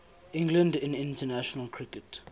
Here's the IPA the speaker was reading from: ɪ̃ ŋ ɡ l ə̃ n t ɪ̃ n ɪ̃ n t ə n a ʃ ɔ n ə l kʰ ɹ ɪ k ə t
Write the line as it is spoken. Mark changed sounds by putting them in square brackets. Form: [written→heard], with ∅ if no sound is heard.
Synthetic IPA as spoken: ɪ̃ ŋ ɡ l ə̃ n [t→d] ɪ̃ n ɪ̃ n t ə n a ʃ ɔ n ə l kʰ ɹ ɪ k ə t

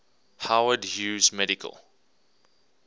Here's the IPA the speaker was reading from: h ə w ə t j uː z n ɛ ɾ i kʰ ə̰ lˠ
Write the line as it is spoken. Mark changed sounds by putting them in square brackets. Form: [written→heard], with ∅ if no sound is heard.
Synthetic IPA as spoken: h [ə→a] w ə [t→d] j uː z [n→m] ɛ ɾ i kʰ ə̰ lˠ

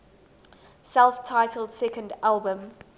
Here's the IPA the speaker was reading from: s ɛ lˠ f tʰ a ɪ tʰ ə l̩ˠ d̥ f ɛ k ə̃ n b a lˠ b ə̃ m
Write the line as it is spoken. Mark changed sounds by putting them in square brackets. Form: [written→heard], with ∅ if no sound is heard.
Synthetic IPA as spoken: s ɛ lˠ f tʰ a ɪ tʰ ə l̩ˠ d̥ [f→s] ɛ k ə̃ n [b→d] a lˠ b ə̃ m

